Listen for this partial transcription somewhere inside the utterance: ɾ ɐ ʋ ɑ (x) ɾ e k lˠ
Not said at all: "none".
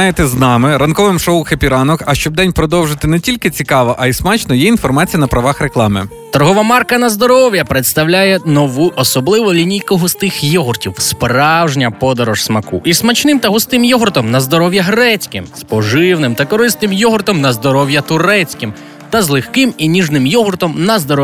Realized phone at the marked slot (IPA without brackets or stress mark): x